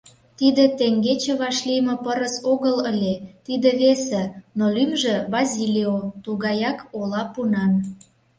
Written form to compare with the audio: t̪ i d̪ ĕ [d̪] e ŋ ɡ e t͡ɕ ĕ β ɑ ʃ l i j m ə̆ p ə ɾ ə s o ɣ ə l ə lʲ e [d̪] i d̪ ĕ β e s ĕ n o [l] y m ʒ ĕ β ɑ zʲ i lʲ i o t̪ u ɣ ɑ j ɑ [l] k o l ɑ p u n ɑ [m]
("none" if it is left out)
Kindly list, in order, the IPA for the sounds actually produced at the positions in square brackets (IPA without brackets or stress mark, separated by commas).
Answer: t̪, t̪, l, none, n